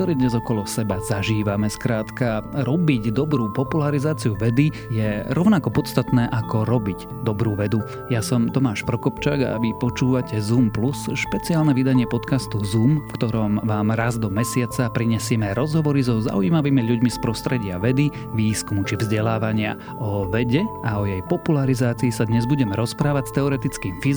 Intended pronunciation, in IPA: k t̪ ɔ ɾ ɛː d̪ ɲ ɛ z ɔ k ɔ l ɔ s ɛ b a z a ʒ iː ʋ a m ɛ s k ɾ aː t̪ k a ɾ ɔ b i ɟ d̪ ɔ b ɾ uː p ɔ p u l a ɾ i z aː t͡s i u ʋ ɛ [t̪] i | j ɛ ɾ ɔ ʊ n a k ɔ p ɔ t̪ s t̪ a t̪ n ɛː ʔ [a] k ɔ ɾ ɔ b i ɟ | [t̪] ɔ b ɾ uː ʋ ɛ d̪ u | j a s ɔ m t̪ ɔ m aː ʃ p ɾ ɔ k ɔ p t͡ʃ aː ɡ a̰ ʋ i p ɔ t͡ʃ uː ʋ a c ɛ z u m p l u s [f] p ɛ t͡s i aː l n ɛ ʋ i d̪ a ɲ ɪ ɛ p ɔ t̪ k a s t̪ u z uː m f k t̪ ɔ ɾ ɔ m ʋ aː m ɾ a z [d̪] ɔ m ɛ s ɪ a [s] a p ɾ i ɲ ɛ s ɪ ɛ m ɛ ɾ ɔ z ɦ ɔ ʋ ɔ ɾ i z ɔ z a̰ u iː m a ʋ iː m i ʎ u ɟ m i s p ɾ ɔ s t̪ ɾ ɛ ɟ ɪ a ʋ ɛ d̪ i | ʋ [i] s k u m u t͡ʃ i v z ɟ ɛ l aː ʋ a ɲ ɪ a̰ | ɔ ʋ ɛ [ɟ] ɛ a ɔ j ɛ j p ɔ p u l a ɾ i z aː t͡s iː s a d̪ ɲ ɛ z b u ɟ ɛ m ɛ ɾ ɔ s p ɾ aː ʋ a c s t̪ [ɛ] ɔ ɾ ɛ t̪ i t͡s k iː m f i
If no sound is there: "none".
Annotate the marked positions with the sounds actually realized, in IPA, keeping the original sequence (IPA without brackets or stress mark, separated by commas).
d̪, a, d̪, ʃ, d̪, t͡s, iː, ɟ, ɛ